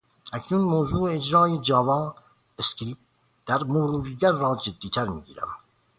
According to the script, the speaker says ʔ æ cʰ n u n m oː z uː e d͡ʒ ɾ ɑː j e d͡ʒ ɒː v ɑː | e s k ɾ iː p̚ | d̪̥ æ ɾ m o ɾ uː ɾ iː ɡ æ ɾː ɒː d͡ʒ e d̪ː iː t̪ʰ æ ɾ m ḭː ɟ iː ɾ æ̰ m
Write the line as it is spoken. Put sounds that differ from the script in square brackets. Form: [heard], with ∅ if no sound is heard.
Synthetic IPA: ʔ æ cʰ n u n m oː z uː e d͡ʒ ɾ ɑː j e d͡ʒ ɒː v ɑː | e s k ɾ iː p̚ | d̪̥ æ ɾ m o ɾ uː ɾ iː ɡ æ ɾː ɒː d͡ʒ e d̪ː iː t̪ʰ æ ɾ m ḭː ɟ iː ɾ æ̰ m